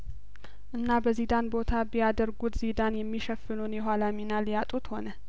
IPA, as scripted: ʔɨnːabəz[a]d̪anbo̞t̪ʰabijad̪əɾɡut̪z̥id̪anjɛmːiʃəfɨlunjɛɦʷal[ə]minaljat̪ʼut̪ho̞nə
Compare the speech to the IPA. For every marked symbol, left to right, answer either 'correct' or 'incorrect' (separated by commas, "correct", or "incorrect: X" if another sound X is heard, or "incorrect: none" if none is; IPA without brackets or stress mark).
incorrect: i, incorrect: a